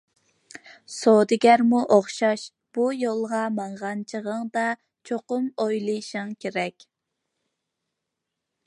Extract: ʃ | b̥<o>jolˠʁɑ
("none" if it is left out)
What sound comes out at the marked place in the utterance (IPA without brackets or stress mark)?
u